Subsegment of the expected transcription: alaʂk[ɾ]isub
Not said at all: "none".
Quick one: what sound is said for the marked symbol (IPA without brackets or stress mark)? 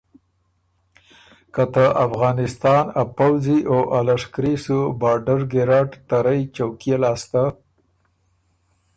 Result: ɾ